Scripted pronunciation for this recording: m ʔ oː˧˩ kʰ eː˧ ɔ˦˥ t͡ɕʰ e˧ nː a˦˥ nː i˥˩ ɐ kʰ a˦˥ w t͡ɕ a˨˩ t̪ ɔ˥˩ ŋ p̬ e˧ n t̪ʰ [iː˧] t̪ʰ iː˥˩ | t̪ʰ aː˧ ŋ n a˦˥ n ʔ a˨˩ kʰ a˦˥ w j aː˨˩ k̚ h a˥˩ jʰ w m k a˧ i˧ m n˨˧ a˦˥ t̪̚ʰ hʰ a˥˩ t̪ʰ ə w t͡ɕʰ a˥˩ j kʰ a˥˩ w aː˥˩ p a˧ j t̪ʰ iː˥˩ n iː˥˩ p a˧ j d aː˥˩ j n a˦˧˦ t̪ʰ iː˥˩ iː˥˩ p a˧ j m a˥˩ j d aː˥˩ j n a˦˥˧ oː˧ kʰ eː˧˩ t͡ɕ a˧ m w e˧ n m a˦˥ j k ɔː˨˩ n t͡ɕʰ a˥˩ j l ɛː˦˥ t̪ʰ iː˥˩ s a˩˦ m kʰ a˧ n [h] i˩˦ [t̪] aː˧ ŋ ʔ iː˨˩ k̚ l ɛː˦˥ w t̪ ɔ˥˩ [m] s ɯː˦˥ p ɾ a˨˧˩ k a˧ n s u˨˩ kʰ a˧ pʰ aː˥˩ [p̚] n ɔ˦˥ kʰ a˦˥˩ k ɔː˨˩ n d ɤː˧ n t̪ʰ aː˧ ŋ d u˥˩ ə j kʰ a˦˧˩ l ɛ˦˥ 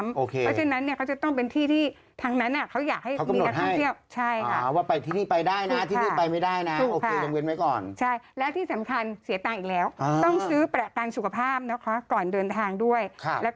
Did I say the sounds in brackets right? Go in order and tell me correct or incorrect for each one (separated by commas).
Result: incorrect, incorrect, correct, incorrect, correct